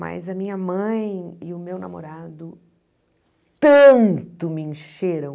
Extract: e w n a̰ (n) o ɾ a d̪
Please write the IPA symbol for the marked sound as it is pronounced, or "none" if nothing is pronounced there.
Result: m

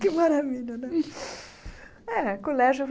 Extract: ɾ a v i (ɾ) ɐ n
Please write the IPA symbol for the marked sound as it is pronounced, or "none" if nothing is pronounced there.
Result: ʎ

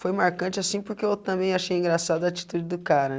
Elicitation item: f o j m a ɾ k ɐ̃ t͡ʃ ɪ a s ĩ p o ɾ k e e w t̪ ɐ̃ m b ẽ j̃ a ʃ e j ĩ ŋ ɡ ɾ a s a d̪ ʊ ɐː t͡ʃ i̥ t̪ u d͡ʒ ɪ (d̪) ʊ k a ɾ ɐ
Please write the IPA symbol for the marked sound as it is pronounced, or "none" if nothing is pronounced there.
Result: d̪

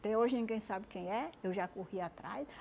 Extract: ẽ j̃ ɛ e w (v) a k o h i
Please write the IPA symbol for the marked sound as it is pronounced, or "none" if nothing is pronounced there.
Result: ʒ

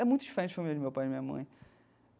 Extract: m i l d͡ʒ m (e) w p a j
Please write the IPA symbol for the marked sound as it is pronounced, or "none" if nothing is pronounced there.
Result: e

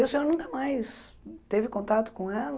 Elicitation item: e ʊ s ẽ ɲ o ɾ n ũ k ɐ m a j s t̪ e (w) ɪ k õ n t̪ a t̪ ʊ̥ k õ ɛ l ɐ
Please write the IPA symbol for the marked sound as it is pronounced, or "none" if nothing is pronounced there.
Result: v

